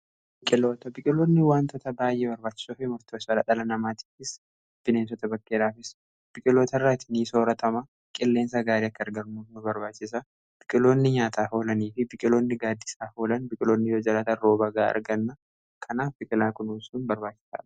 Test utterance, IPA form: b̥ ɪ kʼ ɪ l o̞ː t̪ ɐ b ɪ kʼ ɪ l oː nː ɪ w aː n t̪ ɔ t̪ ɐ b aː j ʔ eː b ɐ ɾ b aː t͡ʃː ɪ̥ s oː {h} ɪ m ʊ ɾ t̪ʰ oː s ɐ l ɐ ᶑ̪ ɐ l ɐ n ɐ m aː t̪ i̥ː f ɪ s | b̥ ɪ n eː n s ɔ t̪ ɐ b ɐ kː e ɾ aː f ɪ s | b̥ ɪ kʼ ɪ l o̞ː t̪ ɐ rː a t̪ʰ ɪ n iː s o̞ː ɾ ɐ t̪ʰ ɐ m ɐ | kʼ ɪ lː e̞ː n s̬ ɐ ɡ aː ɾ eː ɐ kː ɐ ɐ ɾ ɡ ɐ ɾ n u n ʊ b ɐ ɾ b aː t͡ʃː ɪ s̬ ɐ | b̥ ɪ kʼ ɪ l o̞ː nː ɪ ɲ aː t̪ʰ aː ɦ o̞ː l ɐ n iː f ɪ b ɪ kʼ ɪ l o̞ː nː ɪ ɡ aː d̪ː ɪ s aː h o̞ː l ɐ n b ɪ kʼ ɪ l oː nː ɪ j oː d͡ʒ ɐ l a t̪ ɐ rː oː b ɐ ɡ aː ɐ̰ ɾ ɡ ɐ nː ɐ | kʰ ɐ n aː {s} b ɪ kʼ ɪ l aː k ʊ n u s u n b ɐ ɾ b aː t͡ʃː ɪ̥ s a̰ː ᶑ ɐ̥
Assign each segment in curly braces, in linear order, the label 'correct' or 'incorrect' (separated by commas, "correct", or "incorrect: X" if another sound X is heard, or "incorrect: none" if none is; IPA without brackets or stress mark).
incorrect: f, incorrect: f